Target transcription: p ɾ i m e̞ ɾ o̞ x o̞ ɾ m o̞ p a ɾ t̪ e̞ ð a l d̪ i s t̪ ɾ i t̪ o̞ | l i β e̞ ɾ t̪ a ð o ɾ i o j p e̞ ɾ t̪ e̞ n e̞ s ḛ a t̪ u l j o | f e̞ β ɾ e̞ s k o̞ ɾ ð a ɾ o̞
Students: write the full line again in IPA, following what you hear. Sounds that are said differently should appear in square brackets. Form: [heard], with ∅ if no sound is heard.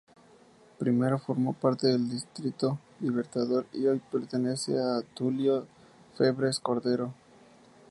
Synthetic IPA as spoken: p ɾ i m e̞ ɾ o̞ [f] o̞ ɾ m o̞ p a ɾ t̪ e̞ ð [e] l d̪ i s t̪ ɾ i t̪ o̞ | l i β e̞ ɾ t̪ a ð o ɾ i o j p e̞ ɾ t̪ e̞ n e̞ s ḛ a t̪ u l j o | f e̞ β ɾ e̞ s k o̞ ɾ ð [e] ɾ o̞